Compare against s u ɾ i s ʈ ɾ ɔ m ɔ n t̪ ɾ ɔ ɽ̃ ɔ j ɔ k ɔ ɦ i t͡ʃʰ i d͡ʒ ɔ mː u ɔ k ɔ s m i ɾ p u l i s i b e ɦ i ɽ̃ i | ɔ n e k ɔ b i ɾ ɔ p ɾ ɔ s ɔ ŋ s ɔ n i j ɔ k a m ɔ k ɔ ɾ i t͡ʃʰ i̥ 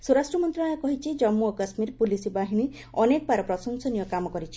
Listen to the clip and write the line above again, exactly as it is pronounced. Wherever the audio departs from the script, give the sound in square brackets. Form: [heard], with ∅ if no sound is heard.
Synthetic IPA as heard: s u ɾ [a] s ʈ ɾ ɔ m ɔ n t̪ ɾ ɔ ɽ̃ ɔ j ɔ k ɔ ɦ i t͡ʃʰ i d͡ʒ ɔ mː u ɔ k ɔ s m i ɾ p u l i s i b [a] ɦ i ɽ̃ i | ɔ n e k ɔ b [a] ɾ ɔ p ɾ ɔ s ɔ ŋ s ɔ n i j ɔ k a m ɔ k ɔ ɾ i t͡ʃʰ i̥